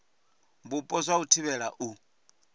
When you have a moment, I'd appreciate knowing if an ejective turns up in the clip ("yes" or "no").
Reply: yes